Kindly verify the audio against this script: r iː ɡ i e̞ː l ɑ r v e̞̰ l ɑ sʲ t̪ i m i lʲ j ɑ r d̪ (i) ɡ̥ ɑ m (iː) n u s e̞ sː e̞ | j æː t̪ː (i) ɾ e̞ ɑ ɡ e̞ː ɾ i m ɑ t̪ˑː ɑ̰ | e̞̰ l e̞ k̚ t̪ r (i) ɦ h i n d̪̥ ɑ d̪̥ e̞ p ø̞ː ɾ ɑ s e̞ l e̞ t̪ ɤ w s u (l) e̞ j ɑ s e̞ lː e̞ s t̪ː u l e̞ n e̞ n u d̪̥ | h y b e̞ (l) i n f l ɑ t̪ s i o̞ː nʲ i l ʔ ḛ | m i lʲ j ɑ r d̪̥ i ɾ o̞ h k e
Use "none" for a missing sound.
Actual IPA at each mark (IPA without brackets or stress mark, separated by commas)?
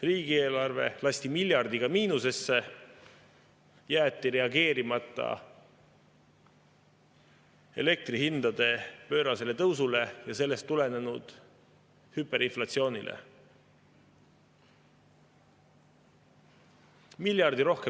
i, iː, i, i, l, ɾ